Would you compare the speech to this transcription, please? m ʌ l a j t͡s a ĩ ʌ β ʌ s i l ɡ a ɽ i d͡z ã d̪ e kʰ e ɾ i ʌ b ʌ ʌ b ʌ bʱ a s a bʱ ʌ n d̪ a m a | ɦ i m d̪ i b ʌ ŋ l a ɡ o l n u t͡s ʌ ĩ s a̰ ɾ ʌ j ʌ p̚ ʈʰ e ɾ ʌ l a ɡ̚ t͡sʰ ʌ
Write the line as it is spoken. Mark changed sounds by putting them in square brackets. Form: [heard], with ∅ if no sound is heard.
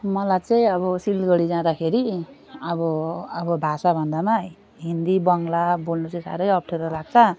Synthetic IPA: m ʌ l a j t͡s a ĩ ʌ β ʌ s i l ɡ [ʌ] ɽ i d͡z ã d̪ [a] kʰ e ɾ i ʌ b ʌ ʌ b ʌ bʱ a s a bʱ ʌ n d̪ a m a | ɦ i [n] d̪ i b ʌ ŋ l a [b] o l n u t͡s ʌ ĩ s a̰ ɾ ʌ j ʌ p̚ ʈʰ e ɾ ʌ l a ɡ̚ t͡sʰ ʌ

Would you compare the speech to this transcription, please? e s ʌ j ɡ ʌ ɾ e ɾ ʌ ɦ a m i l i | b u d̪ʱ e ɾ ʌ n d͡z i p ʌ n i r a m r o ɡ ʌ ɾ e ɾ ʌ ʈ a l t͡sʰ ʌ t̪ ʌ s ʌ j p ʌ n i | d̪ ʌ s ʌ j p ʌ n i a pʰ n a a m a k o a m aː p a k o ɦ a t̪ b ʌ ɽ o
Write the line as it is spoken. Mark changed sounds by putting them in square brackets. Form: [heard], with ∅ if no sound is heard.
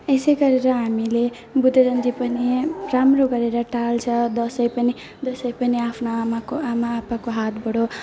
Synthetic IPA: e s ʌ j ɡ ʌ ɾ e ɾ ʌ ɦ a m i l [e] | b u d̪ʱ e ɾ ʌ n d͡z i p ʌ n i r a m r o ɡ ʌ ɾ e ɾ ʌ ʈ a l t͡sʰ ʌ [d̪] ʌ s ʌ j p ʌ n i | d̪ ʌ s ʌ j p ʌ n i a pʰ n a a m a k o a m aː p a k o ɦ a t̪ b ʌ ɽ o

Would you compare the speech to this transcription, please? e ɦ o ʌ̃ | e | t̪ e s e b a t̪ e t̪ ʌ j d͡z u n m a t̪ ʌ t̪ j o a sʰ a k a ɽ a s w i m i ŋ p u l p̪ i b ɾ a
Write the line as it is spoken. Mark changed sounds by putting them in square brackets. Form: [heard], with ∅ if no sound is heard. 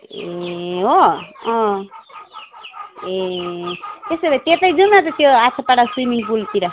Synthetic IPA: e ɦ o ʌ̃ | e | t̪ e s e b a t̪ e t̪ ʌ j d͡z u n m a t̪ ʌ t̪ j o a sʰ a [p] a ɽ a s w i m i ŋ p u l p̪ i [∅] ɾ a

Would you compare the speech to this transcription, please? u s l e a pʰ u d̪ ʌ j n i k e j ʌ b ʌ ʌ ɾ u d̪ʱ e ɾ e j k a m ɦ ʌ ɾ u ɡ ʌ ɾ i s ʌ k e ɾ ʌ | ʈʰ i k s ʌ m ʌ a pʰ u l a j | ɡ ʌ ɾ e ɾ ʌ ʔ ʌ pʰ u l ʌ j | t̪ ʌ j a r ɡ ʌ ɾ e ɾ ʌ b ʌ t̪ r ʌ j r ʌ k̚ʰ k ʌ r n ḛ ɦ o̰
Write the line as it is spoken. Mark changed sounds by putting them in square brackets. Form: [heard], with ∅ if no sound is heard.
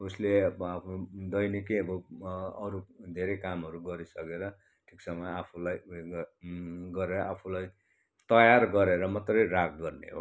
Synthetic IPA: u s l e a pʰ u d̪ ʌ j n i k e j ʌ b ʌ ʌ ɾ u d̪ʱ e ɾ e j k a m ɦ ʌ ɾ u ɡ ʌ ɾ i s ʌ k e ɾ ʌ | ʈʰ i k s ʌ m ʌ a pʰ u l a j | ɡ ʌ ɾ e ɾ ʌ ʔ [a] pʰ u l [a] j | t̪ ʌ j a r ɡ ʌ ɾ e ɾ ʌ [m] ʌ t̪ r ʌ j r [a] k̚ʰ [ɡ] ʌ r n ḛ ɦ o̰

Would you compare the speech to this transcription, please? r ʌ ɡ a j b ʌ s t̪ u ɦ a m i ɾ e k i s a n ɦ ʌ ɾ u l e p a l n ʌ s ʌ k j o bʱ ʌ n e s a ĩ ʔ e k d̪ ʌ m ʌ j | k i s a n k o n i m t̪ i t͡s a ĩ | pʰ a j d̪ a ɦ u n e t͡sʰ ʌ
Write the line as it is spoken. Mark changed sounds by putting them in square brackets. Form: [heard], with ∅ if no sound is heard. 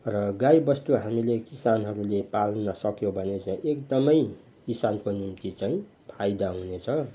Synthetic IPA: r ʌ ɡ a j b ʌ s t̪ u ɦ a m i [l] e k i s a n ɦ ʌ ɾ u l e p a l n ʌ s ʌ k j o bʱ ʌ n e [t͡s] a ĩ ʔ e k d̪ ʌ m ʌ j | k i s a n k o n i m t̪ i t͡s a ĩ | pʰ a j d̪ a ɦ u n e t͡sʰ ʌ

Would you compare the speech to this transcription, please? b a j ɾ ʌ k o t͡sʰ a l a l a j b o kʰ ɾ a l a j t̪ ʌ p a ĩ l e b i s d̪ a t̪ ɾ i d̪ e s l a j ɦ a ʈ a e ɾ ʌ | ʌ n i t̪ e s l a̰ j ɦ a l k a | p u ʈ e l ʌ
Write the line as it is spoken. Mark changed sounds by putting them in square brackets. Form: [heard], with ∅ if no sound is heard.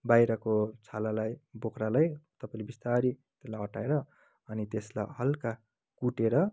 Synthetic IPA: b a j ɾ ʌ k o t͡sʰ a l a l a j b o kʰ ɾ a l a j t̪ ʌ p a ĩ l e b i s [t̪] a [∅] ɾ i [t̪] e s l a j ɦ [ʌ] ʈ a e ɾ ʌ | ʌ n i t̪ e s l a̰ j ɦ [ʌ] l k a | [k] u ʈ e [ɾ] ʌ

